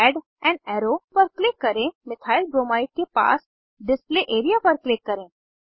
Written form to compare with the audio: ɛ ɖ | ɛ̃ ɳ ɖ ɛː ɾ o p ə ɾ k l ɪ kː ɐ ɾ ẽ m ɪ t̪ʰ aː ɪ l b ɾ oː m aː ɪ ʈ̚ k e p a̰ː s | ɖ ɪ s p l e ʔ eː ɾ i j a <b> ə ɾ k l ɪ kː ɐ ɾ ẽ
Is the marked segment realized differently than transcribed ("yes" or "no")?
yes